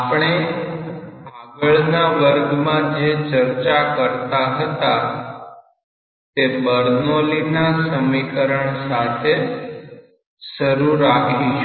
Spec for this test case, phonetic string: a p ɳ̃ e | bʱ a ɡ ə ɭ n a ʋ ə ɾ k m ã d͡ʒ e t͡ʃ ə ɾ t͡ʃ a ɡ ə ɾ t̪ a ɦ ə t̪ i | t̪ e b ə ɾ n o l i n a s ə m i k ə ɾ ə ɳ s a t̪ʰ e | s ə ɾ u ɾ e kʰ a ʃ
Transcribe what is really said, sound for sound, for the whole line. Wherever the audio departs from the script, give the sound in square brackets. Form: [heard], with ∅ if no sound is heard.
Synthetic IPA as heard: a p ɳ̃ e | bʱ a ɡ ə ɭ n a ʋ ə ɾ [ɡ] m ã d͡ʒ e t͡ʃ ə ɾ t͡ʃ a [k] ə ɾ t̪ a ɦ ə t̪ [a] | t̪ e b ə ɾ n o l i n a s ə m i k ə ɾ ə ɳ s a t̪ʰ e | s ə ɾ u ɾ [a] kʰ [i] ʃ